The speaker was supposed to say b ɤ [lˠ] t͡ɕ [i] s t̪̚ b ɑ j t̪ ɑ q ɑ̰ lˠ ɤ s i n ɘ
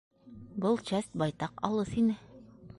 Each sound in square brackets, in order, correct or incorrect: correct, incorrect: æ

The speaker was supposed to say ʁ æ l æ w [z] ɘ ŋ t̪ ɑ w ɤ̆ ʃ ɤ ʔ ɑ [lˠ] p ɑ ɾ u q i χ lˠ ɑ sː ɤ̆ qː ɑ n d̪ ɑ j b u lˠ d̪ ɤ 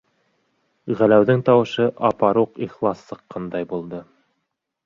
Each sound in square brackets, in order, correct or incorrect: incorrect: ð, incorrect: none

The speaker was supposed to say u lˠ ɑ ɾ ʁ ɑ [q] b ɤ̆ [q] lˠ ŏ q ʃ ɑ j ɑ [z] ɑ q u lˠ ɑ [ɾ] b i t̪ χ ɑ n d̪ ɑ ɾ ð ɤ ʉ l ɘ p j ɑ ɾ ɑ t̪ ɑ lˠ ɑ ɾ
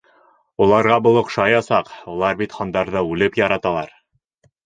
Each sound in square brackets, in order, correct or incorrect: incorrect: none, incorrect: none, incorrect: s, correct

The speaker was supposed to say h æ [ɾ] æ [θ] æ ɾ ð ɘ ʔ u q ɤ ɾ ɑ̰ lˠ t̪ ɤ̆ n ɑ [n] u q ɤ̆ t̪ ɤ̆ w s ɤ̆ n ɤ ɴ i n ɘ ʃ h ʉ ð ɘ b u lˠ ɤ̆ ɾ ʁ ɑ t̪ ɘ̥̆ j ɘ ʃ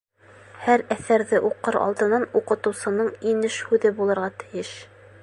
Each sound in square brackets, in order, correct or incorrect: correct, correct, correct

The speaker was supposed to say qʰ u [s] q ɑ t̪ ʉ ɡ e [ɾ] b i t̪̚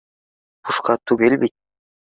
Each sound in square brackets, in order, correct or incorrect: incorrect: ʃ, incorrect: l

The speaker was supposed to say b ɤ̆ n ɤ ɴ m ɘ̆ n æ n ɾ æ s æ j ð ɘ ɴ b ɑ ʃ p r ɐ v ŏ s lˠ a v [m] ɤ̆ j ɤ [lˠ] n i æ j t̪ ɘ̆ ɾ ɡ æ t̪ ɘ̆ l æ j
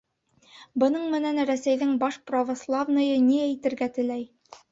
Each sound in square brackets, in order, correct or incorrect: incorrect: n, incorrect: none

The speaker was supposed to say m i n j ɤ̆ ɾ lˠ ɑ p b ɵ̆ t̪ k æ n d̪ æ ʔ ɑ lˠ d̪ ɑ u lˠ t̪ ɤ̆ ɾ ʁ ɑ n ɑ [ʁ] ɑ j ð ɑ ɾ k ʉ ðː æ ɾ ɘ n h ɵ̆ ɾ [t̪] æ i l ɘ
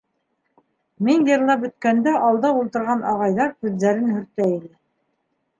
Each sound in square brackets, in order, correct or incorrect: correct, correct

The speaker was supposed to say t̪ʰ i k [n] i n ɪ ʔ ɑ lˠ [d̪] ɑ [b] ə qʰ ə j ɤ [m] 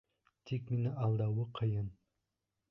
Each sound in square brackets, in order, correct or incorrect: incorrect: m, correct, incorrect: w, incorrect: n

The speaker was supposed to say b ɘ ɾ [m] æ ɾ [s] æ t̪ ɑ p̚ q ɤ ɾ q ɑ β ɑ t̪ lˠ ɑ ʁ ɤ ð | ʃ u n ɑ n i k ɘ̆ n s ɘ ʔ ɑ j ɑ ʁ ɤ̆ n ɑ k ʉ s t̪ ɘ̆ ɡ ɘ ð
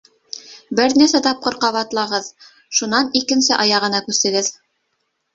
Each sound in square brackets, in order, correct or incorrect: incorrect: n, correct

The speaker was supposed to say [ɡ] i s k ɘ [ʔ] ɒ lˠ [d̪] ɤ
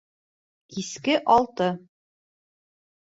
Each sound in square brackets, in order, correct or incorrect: incorrect: k, correct, incorrect: t̪

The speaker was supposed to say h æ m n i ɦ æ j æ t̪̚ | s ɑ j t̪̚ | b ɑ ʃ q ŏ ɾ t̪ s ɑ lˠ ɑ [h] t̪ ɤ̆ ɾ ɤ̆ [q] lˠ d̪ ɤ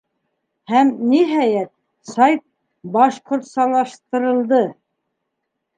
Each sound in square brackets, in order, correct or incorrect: incorrect: ʃ, incorrect: none

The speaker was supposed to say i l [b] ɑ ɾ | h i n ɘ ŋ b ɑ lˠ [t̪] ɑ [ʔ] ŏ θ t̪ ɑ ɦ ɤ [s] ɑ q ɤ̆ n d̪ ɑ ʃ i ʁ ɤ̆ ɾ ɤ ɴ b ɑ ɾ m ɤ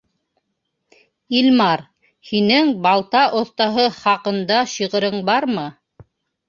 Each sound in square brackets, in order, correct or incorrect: incorrect: m, correct, correct, incorrect: χ

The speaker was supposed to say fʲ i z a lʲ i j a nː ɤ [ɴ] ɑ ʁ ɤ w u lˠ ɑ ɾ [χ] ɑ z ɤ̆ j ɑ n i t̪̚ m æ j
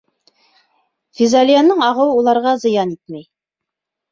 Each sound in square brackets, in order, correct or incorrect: correct, incorrect: ʁ

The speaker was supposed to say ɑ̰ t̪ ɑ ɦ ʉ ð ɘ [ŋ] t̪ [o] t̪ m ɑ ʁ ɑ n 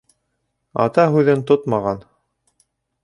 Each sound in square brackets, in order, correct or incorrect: incorrect: n, correct

